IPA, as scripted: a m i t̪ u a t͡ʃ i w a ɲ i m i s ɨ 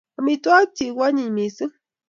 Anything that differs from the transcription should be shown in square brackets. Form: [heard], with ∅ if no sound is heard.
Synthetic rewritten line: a m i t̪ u a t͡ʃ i w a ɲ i m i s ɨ